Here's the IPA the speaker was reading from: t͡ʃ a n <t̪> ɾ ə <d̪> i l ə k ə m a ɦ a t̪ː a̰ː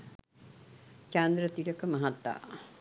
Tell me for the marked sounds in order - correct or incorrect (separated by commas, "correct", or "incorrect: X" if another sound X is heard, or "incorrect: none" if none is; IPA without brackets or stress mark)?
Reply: incorrect: d̪, incorrect: t̪